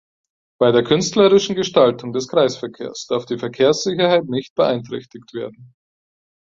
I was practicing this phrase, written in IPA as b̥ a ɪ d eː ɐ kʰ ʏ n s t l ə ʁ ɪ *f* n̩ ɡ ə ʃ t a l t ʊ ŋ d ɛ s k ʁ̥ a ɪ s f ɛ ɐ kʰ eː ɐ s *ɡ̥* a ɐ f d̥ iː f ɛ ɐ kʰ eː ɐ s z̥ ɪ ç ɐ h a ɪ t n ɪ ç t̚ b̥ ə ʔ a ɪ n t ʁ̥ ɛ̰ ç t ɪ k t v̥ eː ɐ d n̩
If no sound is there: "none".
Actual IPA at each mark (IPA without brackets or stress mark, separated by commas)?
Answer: ʃ, d̥